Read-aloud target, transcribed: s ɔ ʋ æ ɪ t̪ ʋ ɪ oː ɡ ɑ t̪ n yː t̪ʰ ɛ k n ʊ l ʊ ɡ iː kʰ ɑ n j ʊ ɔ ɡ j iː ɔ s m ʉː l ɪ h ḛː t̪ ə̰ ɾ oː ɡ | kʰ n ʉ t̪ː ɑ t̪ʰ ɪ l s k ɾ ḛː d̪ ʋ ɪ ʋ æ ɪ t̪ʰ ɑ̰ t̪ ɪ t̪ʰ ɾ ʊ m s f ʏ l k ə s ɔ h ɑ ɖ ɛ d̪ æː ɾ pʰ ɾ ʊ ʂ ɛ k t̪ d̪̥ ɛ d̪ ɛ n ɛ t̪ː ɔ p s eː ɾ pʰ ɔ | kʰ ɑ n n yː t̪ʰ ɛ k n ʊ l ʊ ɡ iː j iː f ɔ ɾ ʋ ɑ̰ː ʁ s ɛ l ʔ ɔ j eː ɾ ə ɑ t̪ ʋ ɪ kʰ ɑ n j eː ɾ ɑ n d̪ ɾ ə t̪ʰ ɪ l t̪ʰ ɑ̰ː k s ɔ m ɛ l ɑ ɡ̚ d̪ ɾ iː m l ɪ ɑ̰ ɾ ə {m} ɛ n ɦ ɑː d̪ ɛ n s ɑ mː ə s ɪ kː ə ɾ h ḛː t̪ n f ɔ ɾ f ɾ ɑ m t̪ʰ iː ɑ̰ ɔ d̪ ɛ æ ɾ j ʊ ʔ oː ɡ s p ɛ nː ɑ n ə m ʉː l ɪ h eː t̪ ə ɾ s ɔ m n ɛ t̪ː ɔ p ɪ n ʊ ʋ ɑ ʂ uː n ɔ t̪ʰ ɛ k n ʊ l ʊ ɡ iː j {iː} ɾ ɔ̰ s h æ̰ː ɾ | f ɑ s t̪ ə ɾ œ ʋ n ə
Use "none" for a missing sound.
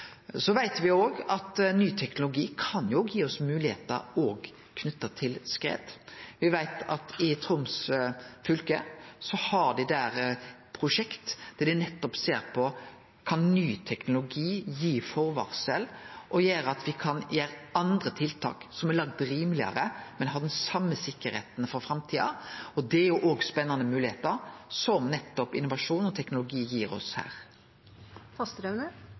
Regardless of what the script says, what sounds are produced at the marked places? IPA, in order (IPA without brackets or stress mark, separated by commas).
m, iː